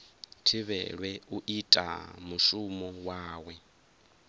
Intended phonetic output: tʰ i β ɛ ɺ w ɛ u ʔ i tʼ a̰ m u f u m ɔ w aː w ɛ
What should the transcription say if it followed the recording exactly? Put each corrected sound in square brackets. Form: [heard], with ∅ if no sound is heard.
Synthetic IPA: tʰ i β ɛ ɺ w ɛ u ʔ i tʼ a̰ m u [ʃ] u m ɔ w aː w ɛ